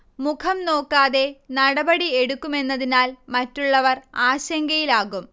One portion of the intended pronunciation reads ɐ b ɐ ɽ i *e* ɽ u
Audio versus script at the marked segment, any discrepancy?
no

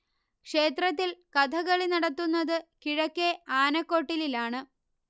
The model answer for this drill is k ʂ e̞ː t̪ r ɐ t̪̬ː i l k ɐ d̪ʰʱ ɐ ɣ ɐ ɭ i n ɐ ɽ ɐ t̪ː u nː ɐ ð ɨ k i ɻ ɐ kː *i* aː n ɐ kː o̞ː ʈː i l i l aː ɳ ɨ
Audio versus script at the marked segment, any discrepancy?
yes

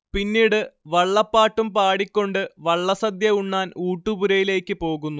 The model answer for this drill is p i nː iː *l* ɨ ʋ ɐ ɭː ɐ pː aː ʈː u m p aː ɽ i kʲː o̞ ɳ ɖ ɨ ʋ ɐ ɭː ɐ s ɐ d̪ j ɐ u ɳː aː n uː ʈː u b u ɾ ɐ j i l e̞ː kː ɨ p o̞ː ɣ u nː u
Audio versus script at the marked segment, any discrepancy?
yes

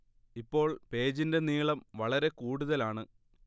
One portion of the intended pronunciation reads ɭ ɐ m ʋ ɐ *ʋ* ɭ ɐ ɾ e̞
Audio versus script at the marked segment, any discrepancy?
yes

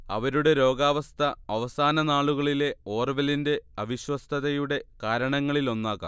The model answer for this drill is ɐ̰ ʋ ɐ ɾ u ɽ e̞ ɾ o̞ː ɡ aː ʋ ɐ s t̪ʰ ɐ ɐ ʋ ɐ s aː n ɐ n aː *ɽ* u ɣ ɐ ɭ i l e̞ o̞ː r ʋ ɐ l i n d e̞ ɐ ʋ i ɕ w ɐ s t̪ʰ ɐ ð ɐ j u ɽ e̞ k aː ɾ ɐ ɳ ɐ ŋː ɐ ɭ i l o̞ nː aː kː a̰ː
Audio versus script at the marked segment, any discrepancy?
yes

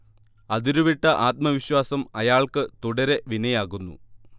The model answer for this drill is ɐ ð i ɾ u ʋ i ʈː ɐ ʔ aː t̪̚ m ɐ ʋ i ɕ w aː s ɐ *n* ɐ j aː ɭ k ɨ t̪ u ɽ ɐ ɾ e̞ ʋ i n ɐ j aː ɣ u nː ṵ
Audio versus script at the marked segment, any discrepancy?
yes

